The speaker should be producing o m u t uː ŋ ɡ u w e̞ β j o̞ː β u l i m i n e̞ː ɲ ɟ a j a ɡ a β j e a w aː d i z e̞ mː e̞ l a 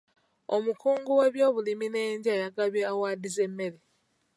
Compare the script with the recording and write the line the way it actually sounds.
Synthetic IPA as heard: o m u k uː ŋ ɡ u w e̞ β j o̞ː β u l i m i n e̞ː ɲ ɟ a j a ɡ a β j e a w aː d i z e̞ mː e̞ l e